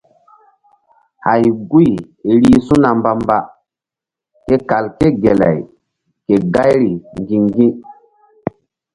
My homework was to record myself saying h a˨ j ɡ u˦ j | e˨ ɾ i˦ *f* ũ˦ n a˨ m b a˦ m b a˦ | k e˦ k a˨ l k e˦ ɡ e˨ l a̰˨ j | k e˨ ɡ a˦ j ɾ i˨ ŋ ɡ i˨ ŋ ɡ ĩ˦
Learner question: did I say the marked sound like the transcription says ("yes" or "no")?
no